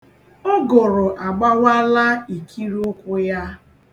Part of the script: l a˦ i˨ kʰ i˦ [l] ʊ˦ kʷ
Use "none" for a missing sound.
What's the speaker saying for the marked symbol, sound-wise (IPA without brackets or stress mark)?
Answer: ɾ